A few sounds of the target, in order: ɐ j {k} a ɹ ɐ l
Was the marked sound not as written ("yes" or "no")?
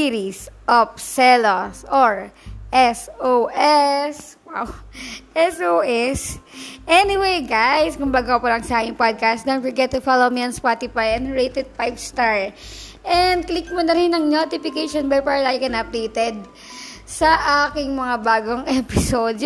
yes